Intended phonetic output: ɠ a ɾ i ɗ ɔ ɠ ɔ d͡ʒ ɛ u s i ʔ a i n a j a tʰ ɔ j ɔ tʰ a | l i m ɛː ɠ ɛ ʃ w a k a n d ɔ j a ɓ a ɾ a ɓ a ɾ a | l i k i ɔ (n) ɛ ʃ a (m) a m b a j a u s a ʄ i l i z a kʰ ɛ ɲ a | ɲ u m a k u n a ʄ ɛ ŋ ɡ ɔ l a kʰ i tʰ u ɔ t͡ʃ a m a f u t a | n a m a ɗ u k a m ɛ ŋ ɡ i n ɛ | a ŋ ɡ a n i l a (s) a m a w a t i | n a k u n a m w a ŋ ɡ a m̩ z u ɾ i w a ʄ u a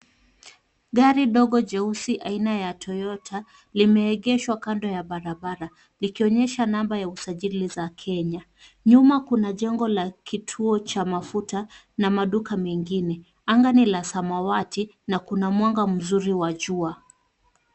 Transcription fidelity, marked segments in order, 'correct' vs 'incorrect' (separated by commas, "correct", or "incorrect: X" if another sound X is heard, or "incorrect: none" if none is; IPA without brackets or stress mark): incorrect: ɲ, incorrect: n, correct